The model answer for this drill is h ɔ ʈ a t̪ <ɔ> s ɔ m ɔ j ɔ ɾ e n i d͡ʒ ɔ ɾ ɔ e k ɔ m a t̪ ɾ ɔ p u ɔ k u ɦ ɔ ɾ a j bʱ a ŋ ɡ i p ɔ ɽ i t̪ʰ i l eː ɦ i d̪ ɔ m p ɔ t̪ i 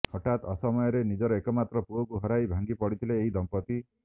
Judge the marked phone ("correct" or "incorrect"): correct